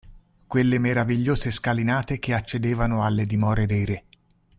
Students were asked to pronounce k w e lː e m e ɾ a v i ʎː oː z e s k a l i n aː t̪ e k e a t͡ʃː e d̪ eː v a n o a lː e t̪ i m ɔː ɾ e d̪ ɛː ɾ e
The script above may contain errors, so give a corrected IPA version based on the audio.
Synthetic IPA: k w e lː e m e ɾ a v i ʎː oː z e s k a l i n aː t̪ e k e a t͡ʃː e d̪ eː v a n o a lː e d̪ i m ɔː ɾ e d̪ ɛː ɾ e